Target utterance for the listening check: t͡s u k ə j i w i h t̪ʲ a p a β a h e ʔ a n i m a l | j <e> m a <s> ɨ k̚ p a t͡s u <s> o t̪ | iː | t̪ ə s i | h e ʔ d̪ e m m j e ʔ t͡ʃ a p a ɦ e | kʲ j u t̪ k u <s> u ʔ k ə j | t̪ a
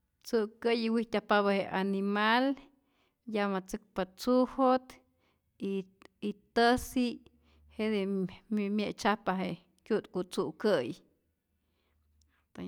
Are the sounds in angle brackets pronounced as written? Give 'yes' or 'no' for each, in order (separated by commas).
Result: no, no, no, no